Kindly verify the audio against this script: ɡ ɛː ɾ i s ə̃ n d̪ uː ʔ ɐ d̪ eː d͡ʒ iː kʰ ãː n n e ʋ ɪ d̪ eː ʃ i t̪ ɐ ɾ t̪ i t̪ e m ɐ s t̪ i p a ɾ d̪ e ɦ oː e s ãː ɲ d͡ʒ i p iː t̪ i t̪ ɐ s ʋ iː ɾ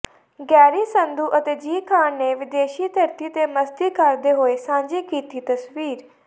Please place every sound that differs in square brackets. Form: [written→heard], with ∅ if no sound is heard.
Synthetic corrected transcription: ɡ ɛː ɾ i s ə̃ n d̪ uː ʔ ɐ [d̪→t̪] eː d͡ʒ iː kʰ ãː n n e ʋ ɪ d̪ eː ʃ i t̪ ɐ ɾ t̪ i t̪ e m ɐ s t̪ i [p→k] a ɾ d̪ e ɦ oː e s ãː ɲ d͡ʒ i [p→k] iː t̪ i t̪ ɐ s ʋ iː ɾ